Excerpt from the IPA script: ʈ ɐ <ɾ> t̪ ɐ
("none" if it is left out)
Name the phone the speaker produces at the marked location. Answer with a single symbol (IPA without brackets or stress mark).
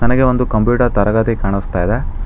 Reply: ɾ